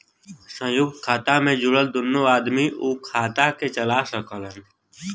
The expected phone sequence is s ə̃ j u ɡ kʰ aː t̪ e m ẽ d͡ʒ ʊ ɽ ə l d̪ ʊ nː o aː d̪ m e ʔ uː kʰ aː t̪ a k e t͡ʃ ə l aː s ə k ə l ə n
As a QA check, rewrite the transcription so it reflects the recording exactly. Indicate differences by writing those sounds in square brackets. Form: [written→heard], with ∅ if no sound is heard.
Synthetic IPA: s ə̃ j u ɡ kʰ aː t̪ [e→a] m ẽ d͡ʒ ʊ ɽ ə l d̪ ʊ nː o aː d̪ m [e→i] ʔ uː kʰ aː t̪ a k e t͡ʃ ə l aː s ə k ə l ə n